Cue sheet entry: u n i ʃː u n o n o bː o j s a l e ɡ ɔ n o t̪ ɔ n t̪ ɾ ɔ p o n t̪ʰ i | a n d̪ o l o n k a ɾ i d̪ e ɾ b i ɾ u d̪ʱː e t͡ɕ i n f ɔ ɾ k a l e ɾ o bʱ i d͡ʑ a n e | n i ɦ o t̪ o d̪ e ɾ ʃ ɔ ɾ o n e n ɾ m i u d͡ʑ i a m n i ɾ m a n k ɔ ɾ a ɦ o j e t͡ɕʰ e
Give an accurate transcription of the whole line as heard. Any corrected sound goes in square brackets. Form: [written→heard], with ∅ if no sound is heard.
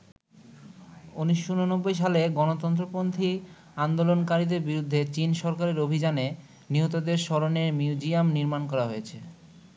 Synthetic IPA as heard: u n i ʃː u n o n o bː o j [s→ʃ] a l e ɡ ɔ n o t̪ ɔ n t̪ ɾ [ɔ→o] p o n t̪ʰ i | a n d̪ o l o n k a ɾ i d̪ e ɾ b i ɾ u d̪ʱː e t͡ɕ i n [f→ʃ] ɔ ɾ k a [l→ɾ] e ɾ o bʱ i d͡ʑ a n e | n i ɦ o t̪ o d̪ e ɾ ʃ ɔ ɾ o n e [n→∅] ɾ m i u d͡ʑ i a m n i ɾ m a n k ɔ ɾ a ɦ o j e t͡ɕʰ e